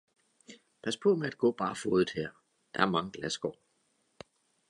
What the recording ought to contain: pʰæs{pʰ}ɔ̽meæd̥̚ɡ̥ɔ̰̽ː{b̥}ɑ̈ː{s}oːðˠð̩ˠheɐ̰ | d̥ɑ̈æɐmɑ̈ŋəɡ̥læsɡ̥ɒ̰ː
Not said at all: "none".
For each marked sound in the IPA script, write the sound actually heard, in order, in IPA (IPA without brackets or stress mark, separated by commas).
pʰ, b̥, f